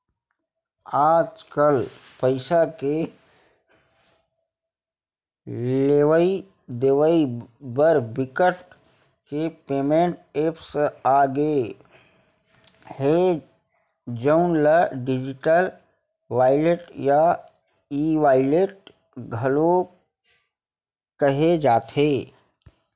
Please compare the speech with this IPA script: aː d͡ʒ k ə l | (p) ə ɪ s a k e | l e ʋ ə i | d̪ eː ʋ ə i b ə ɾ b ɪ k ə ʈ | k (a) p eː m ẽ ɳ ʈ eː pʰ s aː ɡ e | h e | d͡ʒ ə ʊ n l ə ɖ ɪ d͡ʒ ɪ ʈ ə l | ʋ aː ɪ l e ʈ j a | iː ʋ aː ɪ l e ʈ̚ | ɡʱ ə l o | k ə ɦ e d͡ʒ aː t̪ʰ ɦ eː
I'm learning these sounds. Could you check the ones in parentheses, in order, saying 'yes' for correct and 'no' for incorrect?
yes, no

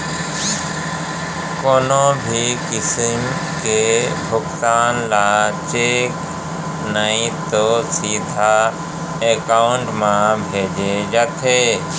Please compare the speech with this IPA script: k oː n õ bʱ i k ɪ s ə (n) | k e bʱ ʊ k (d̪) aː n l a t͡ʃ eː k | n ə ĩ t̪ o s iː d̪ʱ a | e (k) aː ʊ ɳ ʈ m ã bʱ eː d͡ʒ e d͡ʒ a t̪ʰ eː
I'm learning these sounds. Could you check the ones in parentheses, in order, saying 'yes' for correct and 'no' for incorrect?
no, no, yes

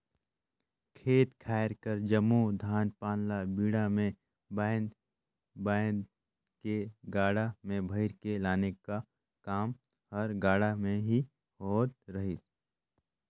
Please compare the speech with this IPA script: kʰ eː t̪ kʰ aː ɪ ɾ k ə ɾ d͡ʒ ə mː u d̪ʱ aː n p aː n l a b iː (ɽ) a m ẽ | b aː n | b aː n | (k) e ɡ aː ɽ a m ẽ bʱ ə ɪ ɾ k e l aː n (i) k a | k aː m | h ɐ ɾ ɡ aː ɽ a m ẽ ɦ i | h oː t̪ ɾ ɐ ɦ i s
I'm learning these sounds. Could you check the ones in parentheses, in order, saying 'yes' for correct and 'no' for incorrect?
yes, yes, no

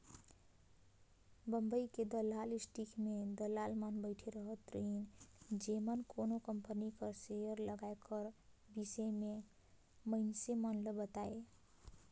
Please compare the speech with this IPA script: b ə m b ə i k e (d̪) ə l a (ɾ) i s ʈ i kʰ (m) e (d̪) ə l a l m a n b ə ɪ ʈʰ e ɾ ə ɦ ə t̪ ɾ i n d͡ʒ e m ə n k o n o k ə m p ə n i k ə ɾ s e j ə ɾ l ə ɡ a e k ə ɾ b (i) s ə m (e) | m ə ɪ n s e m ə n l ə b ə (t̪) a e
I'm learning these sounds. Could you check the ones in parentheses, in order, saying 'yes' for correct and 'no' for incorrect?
yes, no, yes, yes, yes, yes, yes

